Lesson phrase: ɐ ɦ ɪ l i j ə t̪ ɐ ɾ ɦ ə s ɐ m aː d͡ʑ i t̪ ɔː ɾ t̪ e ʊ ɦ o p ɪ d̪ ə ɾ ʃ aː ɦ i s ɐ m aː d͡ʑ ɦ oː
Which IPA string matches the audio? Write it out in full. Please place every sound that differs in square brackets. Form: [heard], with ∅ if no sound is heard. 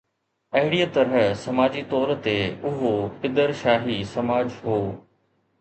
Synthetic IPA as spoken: ɐ ɦ ɪ [ɽ] i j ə t̪ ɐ ɾ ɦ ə s ɐ m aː d͡ʑ i t̪ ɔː ɾ t̪ e ʊ ɦ o p ɪ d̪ ə ɾ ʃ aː ɦ i s ɐ m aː d͡ʑ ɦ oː